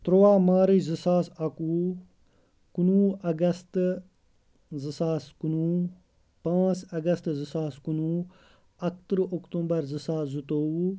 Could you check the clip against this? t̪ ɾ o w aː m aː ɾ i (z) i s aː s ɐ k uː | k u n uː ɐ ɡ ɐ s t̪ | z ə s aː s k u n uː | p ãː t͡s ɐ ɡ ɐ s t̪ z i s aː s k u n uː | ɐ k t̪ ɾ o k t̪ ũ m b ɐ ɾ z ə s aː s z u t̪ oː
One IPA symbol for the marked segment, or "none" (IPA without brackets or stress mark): z